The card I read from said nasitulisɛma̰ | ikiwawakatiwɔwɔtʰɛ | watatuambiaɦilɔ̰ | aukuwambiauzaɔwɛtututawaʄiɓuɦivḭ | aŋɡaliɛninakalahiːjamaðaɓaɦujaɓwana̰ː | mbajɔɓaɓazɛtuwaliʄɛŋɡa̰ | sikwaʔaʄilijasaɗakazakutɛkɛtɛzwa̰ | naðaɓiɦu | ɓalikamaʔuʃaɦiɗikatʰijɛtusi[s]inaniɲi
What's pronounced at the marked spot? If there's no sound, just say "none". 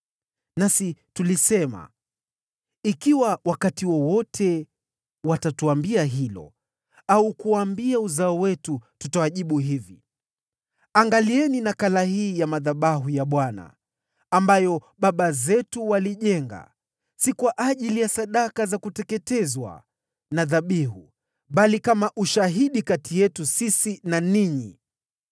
s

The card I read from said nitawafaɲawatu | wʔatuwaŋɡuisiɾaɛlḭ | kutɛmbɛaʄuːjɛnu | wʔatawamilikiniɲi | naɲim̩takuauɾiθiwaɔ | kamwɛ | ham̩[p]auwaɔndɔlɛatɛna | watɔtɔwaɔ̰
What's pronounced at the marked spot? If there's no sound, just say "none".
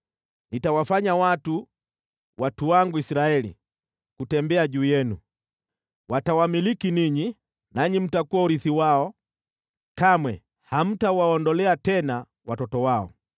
t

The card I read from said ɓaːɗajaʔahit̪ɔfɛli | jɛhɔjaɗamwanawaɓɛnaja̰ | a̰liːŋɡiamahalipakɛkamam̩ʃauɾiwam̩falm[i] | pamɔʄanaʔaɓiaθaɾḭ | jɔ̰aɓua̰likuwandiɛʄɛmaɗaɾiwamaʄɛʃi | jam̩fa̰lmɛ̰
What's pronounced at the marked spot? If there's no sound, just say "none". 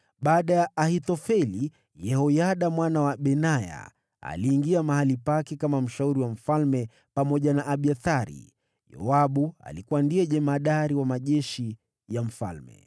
ɛ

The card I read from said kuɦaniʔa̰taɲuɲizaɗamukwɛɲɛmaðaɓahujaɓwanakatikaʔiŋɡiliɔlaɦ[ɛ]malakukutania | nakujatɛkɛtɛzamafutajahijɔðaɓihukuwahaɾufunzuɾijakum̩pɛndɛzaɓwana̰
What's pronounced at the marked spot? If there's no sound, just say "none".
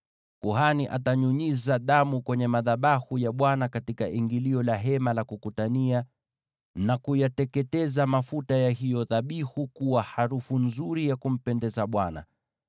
ɛ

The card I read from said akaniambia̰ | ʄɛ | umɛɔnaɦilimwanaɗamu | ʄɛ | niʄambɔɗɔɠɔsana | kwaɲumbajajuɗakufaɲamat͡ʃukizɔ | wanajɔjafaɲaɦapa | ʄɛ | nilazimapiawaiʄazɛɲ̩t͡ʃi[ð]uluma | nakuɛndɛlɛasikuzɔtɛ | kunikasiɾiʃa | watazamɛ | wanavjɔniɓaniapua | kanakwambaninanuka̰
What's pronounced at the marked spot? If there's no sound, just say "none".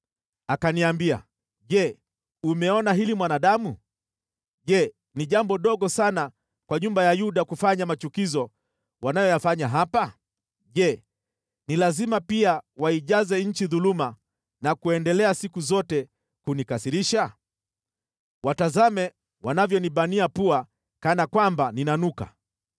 ð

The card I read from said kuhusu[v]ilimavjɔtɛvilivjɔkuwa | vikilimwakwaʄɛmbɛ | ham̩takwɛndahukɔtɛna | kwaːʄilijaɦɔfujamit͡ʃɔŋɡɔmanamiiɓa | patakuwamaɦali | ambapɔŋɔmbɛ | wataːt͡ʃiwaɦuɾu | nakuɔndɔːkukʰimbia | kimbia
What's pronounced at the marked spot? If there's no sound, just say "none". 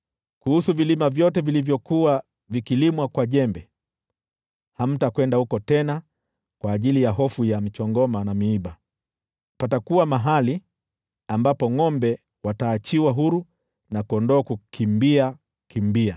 v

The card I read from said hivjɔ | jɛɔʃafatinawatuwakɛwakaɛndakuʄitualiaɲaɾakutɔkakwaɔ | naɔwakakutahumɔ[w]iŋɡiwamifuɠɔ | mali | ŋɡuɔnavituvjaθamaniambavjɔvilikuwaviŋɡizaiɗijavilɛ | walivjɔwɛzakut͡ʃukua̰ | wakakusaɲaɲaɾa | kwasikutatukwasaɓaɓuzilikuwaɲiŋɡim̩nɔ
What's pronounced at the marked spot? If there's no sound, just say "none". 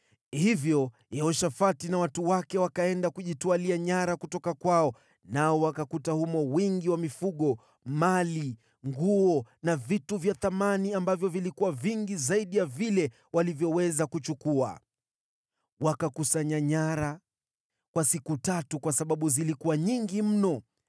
w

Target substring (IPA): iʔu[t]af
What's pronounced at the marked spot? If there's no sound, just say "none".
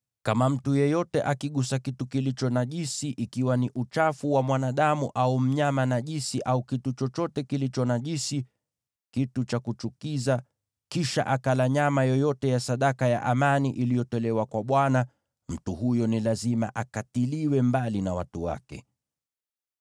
t͡ʃ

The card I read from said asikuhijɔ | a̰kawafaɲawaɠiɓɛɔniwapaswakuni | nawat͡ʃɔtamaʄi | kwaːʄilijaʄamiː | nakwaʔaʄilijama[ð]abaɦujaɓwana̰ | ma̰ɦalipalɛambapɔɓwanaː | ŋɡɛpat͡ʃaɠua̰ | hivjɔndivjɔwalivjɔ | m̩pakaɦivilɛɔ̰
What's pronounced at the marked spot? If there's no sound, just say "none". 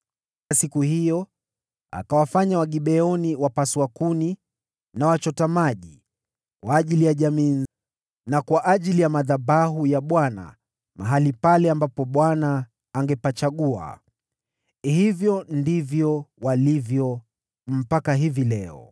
ð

